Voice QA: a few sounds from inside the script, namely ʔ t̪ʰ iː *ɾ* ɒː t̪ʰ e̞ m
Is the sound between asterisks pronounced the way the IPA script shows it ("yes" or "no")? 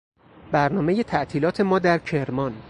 no